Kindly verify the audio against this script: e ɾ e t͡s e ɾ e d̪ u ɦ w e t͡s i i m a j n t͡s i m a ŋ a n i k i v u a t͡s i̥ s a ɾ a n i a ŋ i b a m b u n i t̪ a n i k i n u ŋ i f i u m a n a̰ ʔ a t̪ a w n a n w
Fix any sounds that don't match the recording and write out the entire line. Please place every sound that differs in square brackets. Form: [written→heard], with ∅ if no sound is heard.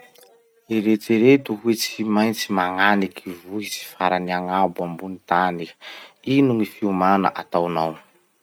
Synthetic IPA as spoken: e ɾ e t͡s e ɾ e [d̪→t̪] u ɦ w e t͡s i i m a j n t͡s i m a ŋ a n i k i v u [a→i] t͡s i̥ [s→f] a ɾ a n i a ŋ [i→a] b a m b u n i t̪ a n i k i n u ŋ i f i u m a n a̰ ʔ a t̪ a w n a [n→∅] w